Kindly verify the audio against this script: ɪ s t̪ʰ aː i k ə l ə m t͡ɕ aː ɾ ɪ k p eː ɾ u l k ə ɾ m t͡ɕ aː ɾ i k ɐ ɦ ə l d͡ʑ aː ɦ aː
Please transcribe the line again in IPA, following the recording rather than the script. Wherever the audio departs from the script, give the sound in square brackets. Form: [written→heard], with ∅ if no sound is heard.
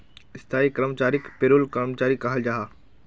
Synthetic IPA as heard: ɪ s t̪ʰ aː i k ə [l→ɾ] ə m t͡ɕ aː ɾ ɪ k p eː ɾ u l k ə ɾ m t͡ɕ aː ɾ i k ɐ ɦ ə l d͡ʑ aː ɦ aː